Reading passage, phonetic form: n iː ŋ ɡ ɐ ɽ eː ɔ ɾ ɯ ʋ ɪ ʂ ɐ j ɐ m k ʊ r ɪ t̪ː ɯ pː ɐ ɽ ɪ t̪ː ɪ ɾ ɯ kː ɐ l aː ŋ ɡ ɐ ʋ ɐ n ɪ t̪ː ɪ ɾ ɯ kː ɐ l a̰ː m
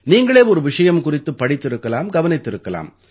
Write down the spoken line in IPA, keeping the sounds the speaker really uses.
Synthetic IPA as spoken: n iː ŋ ɡ ɐ ɭ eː ɔ ɾ ɯ ʋ ɪ ʂ ɐ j ɐ m k ʊ r ɪ t̪ː ɯ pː ɐ ɽ ɪ t̪ː ɪ ɾ ɯ kː ɐ l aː m ɡ ɐ ʋ ɐ n ɪ t̪ː ɪ ɾ ɯ kː ɐ l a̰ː m